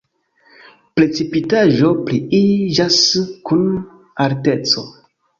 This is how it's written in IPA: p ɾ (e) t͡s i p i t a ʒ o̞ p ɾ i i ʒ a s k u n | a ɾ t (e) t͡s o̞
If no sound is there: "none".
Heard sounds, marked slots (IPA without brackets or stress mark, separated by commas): e, e